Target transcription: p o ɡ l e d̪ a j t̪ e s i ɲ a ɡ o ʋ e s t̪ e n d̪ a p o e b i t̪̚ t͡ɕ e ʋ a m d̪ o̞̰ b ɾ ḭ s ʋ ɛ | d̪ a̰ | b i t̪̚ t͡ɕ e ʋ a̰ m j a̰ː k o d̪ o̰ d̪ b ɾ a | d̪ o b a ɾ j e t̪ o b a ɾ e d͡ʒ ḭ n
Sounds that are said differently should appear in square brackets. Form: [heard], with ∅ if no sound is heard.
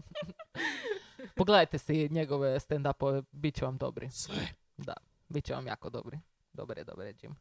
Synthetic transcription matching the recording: p o ɡ l e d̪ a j t̪ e s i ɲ [e] ɡ o ʋ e s t̪ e n d̪ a p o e b i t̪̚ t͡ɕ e ʋ a m d̪ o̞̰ b ɾ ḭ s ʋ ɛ | d̪ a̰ | b i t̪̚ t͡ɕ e ʋ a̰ m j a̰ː k o d̪ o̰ [∅] b ɾ [i] | d̪ o b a ɾ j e [d̪] o b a ɾ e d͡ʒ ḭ [m]